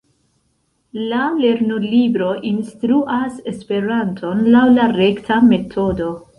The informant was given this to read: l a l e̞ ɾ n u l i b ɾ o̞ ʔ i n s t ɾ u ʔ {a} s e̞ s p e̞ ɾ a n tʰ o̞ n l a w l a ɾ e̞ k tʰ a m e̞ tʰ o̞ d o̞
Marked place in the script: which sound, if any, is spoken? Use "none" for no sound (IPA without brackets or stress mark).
a